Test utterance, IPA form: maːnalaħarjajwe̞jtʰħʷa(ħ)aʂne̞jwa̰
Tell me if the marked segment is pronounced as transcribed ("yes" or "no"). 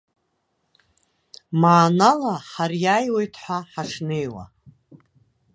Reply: yes